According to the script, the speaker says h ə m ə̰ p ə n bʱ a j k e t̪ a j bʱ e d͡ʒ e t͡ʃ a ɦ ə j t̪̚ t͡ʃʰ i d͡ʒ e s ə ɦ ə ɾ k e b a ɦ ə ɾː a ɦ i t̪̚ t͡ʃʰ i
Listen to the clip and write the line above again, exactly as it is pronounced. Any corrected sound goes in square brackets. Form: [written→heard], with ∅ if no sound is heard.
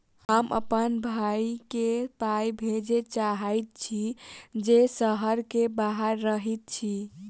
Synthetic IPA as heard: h ə m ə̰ p ə n bʱ a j k e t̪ a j bʱ e d͡ʒ e t͡ʃ a ɦ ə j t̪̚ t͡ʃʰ i d͡ʒ e s ə ɦ ə ɾ k e b a ɦ ə ɾː [a→ə] ɦ i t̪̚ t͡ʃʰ i